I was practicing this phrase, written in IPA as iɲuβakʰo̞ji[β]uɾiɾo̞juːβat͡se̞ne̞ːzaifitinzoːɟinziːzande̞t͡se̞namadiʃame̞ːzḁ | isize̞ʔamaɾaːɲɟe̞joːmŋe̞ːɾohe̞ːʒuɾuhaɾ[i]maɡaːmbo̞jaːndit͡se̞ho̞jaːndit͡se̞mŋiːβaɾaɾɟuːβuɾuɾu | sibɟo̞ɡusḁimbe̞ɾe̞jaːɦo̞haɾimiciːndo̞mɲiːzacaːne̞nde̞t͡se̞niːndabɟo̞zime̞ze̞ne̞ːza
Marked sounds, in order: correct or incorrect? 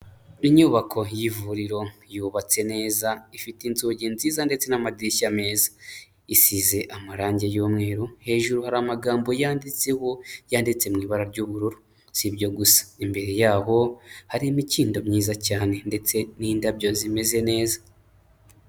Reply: incorrect: v, incorrect: a

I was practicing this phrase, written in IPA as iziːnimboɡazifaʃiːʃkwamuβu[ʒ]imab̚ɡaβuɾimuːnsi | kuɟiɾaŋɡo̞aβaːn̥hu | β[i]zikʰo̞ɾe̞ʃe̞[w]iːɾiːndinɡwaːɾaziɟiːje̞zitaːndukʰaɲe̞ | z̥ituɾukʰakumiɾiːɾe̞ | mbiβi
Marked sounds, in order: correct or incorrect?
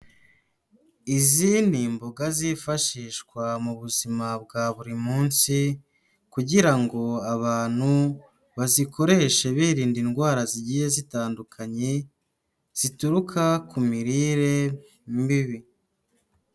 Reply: incorrect: z, incorrect: a, incorrect: β

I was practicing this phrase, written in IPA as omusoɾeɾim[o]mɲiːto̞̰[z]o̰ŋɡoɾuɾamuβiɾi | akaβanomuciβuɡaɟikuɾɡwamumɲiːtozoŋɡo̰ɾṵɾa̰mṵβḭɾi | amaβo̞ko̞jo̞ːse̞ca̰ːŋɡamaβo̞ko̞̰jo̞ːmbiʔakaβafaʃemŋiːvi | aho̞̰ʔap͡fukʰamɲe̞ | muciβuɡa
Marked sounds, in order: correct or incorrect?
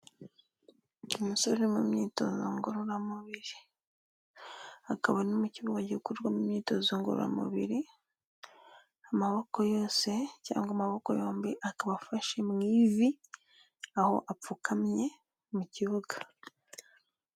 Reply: incorrect: u, correct

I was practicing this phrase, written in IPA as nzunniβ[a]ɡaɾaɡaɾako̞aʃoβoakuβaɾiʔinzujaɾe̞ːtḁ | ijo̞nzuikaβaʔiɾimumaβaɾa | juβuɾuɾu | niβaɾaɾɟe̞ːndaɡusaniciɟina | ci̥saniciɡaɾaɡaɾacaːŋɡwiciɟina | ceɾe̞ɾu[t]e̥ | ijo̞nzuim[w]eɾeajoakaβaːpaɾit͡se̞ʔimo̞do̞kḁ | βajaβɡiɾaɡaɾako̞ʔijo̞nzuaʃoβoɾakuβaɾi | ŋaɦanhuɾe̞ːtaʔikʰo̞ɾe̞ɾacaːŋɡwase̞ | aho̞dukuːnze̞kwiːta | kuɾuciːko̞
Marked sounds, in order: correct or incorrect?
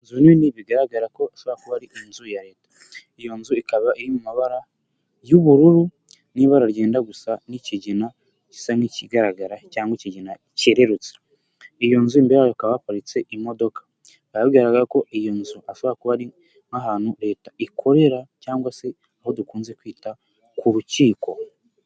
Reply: incorrect: i, incorrect: t͡s, incorrect: b

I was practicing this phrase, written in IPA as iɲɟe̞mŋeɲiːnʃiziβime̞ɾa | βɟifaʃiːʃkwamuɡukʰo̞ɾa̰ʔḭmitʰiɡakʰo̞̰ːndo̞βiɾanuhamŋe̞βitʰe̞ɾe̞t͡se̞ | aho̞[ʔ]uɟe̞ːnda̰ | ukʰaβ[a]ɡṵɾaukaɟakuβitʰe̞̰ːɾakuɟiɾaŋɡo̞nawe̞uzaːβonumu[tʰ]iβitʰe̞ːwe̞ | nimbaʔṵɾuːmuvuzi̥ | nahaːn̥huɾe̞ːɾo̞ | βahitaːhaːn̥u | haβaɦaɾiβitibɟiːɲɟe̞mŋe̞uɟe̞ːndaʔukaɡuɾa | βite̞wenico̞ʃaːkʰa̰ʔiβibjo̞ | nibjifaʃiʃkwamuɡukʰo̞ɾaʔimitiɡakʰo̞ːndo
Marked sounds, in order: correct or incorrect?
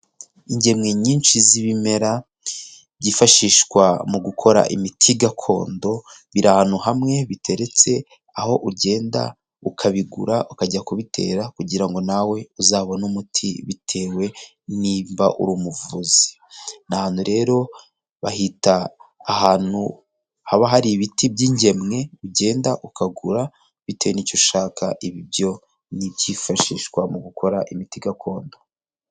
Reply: correct, incorrect: i, correct

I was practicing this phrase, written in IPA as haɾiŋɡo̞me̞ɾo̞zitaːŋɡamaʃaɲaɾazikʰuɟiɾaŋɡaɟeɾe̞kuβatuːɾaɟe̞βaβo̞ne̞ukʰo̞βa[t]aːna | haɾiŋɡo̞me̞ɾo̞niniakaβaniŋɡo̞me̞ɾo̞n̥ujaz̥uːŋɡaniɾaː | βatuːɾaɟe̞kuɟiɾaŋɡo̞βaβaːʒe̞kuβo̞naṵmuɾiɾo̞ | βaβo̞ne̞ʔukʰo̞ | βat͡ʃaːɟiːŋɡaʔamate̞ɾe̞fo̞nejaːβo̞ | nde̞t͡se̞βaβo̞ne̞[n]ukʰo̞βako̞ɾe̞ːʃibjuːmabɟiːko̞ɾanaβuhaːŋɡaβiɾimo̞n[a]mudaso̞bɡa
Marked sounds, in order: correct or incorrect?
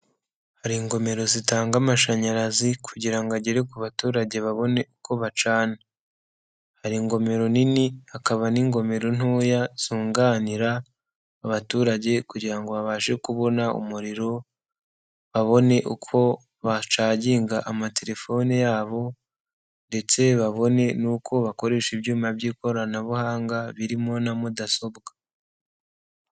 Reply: incorrect: t͡ʃ, correct, correct

